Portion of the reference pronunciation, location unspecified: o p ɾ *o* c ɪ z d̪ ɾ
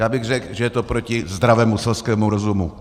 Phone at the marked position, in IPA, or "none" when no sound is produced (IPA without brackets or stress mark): o